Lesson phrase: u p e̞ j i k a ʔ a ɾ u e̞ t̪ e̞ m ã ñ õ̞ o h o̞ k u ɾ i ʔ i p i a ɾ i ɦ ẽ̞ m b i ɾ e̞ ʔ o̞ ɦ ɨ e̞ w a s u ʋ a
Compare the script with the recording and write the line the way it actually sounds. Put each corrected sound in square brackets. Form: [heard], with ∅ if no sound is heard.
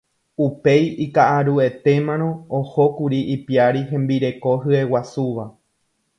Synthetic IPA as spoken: u p e̞ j i k a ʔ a ɾ u e̞ t̪ e̞ m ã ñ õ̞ o h o̞ k u ɾ i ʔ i p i a ɾ i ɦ ẽ̞ m b i ɾ e̞ [k] o̞ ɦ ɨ e̞ w a s u ʋ a